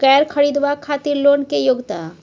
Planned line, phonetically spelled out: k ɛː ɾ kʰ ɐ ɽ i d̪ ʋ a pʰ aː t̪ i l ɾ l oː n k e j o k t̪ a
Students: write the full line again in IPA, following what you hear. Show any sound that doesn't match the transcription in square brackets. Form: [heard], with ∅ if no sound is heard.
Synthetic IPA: k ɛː ɾ kʰ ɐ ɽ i d̪ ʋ a [kʰ] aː t̪ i [∅] ɾ l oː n k e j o [ɡ] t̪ a